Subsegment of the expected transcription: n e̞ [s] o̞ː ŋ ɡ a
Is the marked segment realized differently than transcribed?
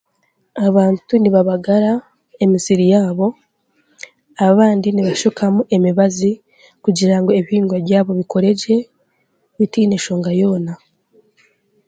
yes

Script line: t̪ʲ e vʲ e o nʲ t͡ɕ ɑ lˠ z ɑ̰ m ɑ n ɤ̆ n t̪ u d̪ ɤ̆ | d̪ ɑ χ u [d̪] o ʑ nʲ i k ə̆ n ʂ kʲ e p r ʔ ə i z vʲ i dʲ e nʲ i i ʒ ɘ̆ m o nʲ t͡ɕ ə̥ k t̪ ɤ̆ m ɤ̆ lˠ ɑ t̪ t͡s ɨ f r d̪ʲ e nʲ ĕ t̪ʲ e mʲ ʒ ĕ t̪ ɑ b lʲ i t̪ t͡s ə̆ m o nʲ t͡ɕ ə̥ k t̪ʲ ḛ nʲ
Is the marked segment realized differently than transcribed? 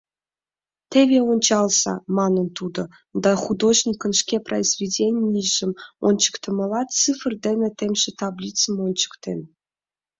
no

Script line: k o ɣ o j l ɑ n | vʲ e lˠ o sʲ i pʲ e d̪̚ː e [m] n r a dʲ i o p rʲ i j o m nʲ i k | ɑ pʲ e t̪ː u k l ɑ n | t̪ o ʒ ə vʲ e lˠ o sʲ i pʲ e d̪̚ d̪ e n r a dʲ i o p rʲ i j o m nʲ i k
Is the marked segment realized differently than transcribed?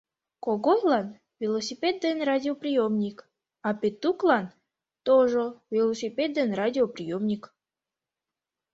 yes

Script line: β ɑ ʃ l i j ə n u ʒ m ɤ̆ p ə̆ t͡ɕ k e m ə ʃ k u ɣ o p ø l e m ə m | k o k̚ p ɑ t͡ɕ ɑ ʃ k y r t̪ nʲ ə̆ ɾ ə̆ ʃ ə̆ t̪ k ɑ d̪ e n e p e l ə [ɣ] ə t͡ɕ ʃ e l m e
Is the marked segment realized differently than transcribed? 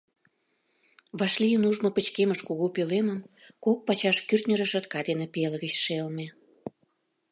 no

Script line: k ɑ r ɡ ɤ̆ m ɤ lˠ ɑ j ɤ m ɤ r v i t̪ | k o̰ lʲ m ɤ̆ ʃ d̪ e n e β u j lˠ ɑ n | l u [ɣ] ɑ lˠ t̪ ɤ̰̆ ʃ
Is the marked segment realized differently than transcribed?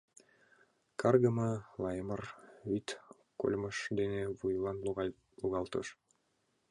no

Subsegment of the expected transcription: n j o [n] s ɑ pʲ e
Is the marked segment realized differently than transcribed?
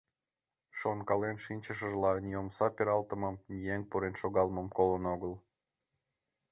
yes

